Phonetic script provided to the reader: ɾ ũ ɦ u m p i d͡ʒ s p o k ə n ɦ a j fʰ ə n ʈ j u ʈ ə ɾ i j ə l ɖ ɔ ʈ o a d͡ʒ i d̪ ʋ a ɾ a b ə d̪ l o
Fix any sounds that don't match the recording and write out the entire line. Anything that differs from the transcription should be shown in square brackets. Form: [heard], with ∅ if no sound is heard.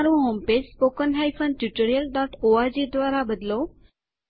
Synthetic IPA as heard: ɾ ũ ɦ [o] m p [e] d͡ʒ s p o k ə n ɦ a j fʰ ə n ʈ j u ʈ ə ɾ i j ə l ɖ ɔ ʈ o a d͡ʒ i d̪ ʋ a ɾ a b ə d̪ l o